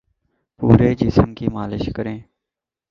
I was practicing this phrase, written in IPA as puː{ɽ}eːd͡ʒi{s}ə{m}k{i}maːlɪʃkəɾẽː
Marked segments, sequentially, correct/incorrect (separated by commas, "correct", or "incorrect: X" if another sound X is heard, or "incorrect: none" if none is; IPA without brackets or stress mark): incorrect: ɾ, correct, correct, incorrect: iː